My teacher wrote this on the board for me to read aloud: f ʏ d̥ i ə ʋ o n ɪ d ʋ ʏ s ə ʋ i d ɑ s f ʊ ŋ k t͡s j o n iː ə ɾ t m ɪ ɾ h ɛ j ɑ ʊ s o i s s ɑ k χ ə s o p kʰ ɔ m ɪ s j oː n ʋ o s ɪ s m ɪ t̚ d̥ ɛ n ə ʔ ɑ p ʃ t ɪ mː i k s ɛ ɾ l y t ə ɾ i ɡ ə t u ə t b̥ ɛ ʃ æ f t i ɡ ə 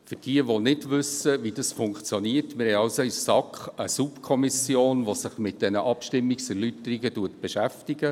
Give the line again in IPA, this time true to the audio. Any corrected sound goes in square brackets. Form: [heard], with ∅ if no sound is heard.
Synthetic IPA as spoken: f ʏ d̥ i ə ʋ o n ɪ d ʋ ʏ s ə ʋ i d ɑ s f ʊ ŋ k t͡s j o n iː ə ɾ t m ɪ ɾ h ɛ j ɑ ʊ s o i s s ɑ k χ ə s [u] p kʰ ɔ m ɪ s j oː n ʋ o s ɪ [χ] m ɪ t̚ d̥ ɛ n ə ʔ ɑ p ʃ t ɪ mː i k s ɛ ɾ l y t ə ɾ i ɡ ə t u ə t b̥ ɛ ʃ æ f t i ɡ ə